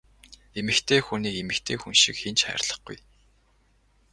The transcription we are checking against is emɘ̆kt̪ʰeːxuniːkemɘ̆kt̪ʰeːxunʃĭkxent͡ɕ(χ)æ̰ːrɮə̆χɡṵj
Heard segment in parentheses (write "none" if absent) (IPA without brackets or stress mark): χ